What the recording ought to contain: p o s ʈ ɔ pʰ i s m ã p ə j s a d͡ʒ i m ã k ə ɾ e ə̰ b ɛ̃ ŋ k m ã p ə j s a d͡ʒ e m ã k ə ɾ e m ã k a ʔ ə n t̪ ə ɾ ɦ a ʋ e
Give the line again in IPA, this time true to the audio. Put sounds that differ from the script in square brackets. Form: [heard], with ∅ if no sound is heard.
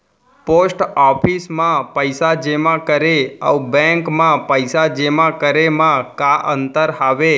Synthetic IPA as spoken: p o s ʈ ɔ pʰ i s m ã p ə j s a d͡ʒ [e] m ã k ə ɾ e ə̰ b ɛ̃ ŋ k m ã p ə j s a d͡ʒ e m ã k ə ɾ e m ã k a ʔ ə n t̪ ə ɾ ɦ a ʋ e